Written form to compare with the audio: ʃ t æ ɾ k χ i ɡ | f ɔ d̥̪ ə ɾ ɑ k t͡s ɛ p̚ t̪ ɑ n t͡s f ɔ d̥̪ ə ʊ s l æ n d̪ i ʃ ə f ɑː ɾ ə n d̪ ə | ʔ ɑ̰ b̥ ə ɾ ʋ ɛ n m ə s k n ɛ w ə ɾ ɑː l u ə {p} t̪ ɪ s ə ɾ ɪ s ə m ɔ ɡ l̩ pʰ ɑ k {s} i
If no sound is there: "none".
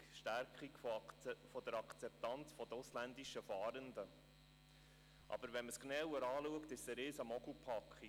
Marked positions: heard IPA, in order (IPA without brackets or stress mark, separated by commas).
k, χ